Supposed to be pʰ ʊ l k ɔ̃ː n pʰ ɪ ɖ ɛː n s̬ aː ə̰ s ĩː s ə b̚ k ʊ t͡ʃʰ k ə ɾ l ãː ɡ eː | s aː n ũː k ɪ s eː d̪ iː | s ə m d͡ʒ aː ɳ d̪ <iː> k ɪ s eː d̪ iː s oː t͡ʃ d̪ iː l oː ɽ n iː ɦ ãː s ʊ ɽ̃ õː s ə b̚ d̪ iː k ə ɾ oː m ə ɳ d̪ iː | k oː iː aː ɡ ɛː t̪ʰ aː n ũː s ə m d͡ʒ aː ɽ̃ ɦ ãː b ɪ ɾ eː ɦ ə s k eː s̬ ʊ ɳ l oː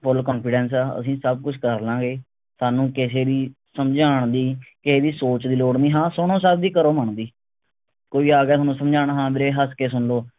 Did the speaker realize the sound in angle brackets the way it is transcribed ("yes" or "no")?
yes